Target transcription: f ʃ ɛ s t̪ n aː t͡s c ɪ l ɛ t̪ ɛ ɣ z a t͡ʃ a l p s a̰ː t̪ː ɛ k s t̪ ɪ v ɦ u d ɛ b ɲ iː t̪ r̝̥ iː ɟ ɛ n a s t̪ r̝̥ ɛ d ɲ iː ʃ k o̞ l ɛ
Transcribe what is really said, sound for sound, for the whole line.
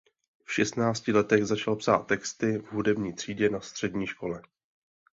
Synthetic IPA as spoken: f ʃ ɛ s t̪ n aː t͡s c ɪ l ɛ t̪ ɛ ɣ z a t͡ʃ a l p s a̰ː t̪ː ɛ k s t̪ ɪ v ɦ u d ɛ b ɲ iː t̪ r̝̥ iː ɟ ɛ n a s t̪ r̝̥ ɛ d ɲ iː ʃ k o̞ l ɛ